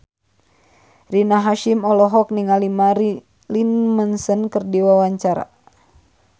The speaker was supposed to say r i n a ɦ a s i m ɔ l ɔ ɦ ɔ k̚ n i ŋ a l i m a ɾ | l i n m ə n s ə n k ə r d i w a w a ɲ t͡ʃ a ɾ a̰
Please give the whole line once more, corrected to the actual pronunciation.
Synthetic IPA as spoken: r i n a ɦ a ʃ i m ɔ l ɔ ɦ ɔ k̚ n i ŋ a l i m a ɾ | l i n m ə n s ə n k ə r d i w a w a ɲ t͡ʃ a ɾ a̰